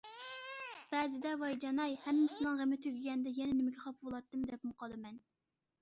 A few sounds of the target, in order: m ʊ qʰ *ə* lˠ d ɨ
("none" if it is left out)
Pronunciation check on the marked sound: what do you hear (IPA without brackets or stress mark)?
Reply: ɑ